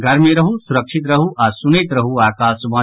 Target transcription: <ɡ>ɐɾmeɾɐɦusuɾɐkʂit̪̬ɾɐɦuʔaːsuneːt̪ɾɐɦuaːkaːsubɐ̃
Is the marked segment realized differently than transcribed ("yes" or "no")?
no